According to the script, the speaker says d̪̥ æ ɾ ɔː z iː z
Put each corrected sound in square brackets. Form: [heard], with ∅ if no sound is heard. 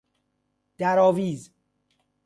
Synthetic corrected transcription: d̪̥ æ ɾ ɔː [v] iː z